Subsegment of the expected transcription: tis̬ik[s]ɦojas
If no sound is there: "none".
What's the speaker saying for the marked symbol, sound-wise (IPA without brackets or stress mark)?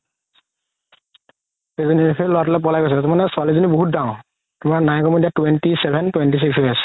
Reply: s